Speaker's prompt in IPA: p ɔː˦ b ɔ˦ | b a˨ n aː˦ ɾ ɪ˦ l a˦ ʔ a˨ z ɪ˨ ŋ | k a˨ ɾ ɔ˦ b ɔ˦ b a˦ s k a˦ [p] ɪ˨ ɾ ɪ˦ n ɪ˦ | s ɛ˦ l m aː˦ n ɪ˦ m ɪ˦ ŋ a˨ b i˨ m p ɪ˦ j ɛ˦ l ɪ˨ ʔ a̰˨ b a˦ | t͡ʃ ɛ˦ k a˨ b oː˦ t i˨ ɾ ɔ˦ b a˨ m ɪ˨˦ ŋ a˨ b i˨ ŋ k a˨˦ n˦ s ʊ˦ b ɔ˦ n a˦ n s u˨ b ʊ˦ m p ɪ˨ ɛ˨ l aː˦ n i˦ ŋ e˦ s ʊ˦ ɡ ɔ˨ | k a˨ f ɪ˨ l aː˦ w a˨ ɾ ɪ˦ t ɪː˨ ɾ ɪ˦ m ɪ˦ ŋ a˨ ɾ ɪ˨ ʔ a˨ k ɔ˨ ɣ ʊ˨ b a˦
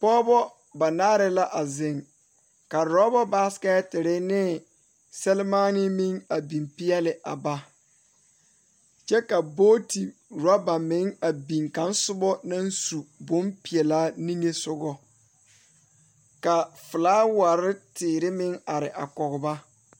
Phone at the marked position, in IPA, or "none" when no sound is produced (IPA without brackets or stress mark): t